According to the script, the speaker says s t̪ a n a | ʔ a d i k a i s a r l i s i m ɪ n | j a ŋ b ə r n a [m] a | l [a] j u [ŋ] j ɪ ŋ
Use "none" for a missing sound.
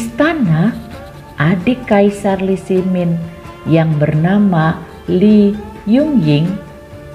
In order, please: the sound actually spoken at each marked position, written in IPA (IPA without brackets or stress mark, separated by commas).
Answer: m, i, ŋ